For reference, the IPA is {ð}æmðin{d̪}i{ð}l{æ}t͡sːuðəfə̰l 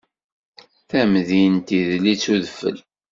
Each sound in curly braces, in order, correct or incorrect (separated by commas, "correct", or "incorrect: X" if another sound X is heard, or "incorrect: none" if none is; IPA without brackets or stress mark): incorrect: θ, incorrect: t̪, correct, incorrect: i